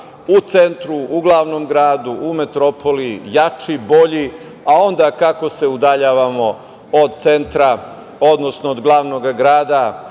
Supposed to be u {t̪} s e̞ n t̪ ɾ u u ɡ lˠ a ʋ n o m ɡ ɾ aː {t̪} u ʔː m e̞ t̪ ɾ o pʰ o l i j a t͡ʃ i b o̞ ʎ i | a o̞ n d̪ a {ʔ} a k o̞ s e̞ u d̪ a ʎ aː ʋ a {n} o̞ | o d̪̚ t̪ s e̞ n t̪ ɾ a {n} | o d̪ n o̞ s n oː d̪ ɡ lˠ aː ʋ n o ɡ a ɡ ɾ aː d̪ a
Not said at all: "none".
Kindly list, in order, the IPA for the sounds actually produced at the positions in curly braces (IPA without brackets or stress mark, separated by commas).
t̪, d̪, k, m, none